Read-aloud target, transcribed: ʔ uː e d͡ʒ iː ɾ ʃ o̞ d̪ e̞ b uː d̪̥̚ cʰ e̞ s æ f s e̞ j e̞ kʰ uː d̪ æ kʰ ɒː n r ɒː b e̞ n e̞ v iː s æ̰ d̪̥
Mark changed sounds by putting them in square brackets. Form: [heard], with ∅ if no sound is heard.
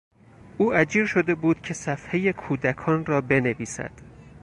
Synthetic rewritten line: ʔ uː [æ] d͡ʒ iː ɾ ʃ o̞ d̪ e̞ b uː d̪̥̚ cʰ e̞ s æ f [h] e̞ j e̞ kʰ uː d̪ æ kʰ ɒː n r ɒː b e̞ n e̞ v iː s æ̰ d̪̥